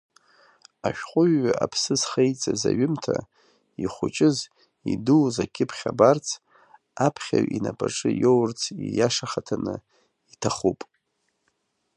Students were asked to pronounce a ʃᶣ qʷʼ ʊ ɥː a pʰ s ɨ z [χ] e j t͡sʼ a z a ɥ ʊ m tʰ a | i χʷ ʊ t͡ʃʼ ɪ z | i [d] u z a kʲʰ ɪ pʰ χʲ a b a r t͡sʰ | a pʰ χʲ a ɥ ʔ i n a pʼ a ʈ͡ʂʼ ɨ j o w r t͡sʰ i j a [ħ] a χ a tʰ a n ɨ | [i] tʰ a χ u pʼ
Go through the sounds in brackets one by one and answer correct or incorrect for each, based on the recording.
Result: correct, correct, incorrect, correct

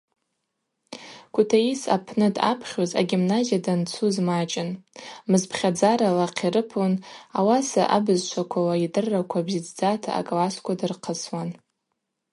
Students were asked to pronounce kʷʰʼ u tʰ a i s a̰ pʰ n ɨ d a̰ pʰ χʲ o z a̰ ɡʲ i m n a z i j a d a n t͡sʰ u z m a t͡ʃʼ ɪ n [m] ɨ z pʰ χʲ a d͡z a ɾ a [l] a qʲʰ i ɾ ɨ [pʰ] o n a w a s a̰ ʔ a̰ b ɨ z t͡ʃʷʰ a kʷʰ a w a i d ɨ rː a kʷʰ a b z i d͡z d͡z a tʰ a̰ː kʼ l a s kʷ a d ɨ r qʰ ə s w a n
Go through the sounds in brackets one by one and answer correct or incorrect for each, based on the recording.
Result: correct, correct, correct

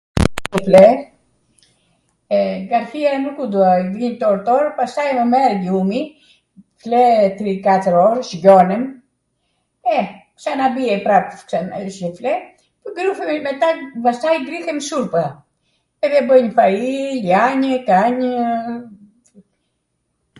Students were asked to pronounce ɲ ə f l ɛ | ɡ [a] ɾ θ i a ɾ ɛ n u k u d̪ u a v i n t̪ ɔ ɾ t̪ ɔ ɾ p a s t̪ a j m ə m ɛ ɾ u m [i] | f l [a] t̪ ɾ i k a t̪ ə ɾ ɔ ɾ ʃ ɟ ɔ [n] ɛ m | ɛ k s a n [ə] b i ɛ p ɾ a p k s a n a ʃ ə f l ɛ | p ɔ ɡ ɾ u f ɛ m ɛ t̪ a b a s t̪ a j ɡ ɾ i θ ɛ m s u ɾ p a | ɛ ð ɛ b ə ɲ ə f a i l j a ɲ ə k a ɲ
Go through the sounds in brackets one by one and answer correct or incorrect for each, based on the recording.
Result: correct, correct, incorrect, correct, incorrect

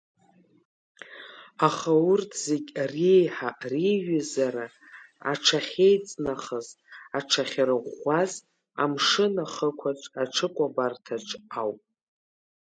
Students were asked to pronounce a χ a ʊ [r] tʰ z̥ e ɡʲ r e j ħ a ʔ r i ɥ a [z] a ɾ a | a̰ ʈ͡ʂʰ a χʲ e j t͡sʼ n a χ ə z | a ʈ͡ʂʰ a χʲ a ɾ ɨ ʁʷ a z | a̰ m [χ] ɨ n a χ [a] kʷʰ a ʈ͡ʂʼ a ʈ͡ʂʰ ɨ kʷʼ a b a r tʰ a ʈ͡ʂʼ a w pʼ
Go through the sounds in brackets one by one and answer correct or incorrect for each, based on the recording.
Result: correct, correct, incorrect, incorrect

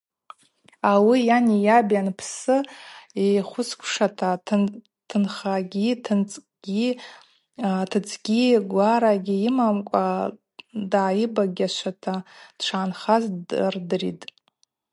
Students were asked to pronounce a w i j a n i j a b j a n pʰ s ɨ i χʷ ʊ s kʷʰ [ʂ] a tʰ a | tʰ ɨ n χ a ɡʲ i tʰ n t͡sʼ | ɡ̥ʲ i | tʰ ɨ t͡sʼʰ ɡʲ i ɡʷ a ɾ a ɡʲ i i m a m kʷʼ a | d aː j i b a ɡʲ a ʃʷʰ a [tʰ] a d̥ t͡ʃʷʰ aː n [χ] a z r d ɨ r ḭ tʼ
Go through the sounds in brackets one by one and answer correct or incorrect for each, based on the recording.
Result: correct, correct, correct

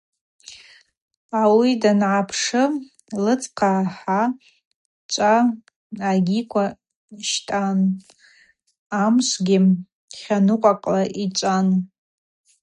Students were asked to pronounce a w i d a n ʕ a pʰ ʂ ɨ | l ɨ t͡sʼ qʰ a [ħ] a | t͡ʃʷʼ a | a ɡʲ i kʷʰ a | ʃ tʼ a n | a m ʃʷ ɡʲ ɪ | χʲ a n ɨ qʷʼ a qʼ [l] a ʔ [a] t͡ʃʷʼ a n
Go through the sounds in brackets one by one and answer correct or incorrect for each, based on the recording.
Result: correct, correct, incorrect

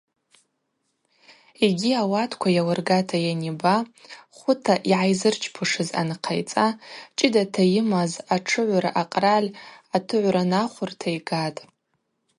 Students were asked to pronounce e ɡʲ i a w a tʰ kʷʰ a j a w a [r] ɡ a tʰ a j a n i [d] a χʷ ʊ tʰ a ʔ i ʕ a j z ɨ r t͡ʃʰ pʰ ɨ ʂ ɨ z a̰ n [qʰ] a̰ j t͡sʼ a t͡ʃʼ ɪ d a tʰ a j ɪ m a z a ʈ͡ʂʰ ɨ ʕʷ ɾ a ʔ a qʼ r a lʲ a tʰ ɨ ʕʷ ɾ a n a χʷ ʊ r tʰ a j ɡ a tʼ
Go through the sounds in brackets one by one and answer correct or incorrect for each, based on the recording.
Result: correct, incorrect, correct

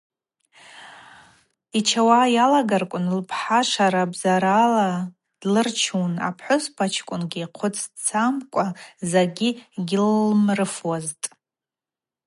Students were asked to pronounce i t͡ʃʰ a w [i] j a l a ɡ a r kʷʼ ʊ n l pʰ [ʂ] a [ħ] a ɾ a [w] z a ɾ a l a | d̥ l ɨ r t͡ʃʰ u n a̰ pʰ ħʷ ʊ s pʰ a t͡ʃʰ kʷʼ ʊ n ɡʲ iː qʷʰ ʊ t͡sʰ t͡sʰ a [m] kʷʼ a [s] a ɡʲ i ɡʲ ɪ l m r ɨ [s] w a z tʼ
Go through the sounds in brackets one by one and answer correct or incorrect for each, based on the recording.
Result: incorrect, incorrect, incorrect, incorrect, correct, incorrect, incorrect

